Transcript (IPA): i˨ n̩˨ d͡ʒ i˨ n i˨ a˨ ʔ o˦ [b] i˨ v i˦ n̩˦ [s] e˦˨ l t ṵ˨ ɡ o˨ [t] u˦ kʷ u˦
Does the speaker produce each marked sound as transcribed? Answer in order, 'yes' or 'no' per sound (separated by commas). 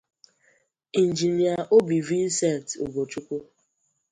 yes, yes, no